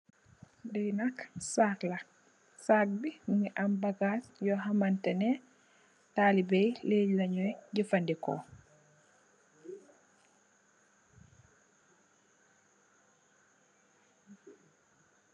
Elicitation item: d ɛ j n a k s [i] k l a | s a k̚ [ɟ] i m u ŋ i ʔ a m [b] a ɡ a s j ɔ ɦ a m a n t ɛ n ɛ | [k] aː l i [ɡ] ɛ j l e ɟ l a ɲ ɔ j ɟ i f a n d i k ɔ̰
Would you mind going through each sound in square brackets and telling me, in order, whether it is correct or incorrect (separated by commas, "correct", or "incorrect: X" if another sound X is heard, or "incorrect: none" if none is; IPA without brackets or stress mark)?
incorrect: a, incorrect: b, correct, incorrect: t, incorrect: b